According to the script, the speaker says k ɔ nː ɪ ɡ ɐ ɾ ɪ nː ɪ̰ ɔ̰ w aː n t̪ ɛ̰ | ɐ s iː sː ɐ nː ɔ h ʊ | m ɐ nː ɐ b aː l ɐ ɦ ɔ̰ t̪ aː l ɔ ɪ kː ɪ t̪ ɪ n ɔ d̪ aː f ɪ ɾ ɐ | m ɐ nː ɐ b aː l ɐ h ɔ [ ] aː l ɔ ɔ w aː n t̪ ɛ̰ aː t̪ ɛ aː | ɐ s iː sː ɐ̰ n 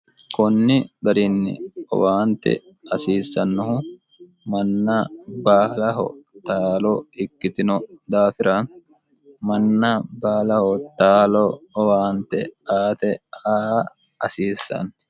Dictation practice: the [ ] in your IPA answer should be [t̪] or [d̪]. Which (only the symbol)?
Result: t̪